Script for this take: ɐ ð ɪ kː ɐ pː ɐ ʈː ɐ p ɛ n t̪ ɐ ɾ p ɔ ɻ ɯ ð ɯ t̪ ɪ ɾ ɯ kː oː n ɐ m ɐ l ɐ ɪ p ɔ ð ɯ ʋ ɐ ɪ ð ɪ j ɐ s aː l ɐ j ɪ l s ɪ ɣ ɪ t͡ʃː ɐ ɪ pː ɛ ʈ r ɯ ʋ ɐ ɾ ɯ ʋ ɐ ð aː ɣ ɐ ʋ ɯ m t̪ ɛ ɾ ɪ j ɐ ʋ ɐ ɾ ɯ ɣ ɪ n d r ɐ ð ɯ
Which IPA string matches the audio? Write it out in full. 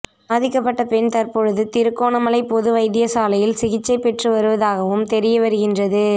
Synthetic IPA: ɐ ð ɪ kː ɐ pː ɐ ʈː ɐ p ɛ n t̪ ɐ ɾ p ɔ ɻ ɯ ð ɯ t̪ ɪ ɾ ɯ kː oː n ɐ m ɐ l ɐ ɪ p ɔ ð ɯ ʋ ɐ ɪ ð ɪ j ɐ s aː l ɐ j ɪ l s ɪ ɣ ɪ t͡ʃː ɐ ɪ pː ɛ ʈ r ɯ ʋ ɐ ɾ ɯ ʋ ɐ ð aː ɣ ɐ ʋ ɯ m t̪ ɛ ɾ ɪ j ɐ ʋ ɐ ɾ ɯ ɣ ɪ n d r ɐ ð ɯ